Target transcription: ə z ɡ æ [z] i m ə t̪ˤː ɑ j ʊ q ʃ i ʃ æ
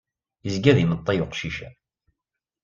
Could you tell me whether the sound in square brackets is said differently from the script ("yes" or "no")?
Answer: yes